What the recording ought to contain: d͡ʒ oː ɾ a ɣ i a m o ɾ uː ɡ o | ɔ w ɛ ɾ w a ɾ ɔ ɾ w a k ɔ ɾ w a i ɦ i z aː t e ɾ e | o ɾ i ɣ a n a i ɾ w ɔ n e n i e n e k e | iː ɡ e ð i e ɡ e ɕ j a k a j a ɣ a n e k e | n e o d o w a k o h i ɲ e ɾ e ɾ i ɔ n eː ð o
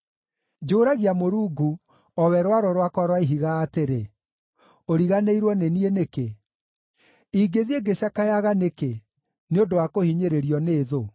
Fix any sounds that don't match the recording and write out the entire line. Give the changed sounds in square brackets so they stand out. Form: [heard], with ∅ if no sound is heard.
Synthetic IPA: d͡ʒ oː ɾ a ɣ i a m o ɾ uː ɡ [u] | ɔ w ɛ ɾ w a ɾ ɔ ɾ w a k ɔ ɾ w a i ɦ i [ɣ] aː t e ɾ e | o ɾ i ɣ a n [e] i ɾ w ɔ n e n i e n e k e | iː ɡ e ð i e ɡ e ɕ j a k a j a ɣ a n e k e | n e o d o w a k o h i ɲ e ɾ e ɾ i ɔ n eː ð o